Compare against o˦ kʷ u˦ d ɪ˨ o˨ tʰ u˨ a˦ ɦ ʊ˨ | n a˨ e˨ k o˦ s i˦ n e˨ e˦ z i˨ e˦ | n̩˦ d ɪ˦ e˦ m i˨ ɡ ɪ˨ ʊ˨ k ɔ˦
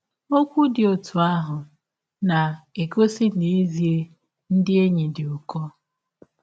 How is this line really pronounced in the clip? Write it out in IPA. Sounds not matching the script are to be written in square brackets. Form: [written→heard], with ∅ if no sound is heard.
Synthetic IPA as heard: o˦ kʷ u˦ d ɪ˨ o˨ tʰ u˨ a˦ ɦ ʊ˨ | n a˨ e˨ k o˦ s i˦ n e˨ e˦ z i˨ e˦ | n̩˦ d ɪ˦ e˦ [m→ɲ] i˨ [ɡ→d] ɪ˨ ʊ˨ k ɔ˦